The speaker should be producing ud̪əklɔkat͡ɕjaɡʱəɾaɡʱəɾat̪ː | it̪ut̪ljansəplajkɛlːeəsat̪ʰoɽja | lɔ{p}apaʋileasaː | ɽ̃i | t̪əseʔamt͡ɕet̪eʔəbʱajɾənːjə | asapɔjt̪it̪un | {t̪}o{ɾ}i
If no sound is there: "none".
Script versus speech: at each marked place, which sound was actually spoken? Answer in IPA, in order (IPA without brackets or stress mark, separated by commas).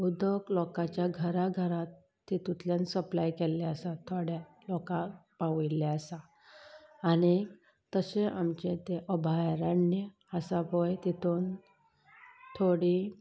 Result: k, t̪ʰ, ɽ